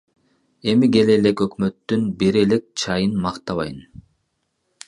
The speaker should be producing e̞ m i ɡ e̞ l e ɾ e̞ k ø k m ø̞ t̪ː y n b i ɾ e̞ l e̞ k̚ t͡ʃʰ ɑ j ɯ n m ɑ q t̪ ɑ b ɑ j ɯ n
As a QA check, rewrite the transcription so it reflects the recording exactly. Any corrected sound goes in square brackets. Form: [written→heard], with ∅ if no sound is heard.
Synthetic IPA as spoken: e̞ m i ɡ e̞ l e [ɾ→l] e̞ k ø k m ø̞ t̪ː y n b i ɾ e̞ l e̞ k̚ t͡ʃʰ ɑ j ɯ n m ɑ q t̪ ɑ [b→β] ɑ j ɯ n